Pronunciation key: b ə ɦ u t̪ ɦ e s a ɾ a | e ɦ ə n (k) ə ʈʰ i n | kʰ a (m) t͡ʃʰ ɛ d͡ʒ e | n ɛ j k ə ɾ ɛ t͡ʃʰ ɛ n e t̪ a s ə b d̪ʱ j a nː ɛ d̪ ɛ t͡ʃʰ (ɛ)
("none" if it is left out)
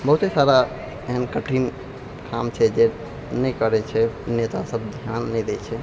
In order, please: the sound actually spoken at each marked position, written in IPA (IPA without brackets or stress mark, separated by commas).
k, m, ɛ